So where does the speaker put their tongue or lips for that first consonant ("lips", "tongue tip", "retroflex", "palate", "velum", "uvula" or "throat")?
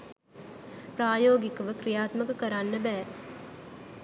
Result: lips